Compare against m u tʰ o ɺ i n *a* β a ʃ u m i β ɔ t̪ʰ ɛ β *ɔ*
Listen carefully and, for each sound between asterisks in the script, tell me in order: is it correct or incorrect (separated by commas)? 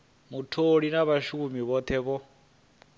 correct, correct